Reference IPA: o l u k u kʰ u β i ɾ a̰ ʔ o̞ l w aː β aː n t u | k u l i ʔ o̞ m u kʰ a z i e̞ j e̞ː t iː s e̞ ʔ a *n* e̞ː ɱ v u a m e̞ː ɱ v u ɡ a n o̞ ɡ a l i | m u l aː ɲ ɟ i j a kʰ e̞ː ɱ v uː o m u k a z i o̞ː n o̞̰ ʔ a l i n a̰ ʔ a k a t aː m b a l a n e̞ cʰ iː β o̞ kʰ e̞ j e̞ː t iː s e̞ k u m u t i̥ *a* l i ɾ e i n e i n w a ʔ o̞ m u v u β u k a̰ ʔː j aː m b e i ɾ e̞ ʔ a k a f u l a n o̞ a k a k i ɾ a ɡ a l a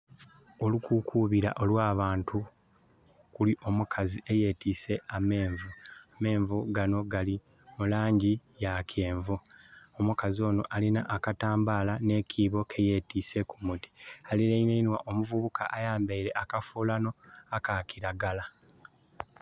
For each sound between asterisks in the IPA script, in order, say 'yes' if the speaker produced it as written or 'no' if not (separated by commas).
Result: no, yes